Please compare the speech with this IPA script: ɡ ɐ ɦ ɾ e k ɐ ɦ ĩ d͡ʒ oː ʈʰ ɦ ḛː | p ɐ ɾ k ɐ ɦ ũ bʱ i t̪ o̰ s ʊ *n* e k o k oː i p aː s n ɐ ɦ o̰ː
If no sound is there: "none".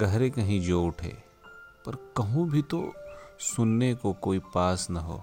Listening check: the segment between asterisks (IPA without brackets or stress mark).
nː